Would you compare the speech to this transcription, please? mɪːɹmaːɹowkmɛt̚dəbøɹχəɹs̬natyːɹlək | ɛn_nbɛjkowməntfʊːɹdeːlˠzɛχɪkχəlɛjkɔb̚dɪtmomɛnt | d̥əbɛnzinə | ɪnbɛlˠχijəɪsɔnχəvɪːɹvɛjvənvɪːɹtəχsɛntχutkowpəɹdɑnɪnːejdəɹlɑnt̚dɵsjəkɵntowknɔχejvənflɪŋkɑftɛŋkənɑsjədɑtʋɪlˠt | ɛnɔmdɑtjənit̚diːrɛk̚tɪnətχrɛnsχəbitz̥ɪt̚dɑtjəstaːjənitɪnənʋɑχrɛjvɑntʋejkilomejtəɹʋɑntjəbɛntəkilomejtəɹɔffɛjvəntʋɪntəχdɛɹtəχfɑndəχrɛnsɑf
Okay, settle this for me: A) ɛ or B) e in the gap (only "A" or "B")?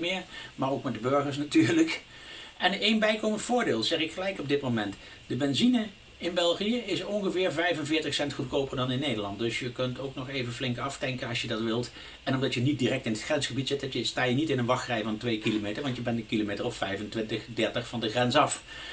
B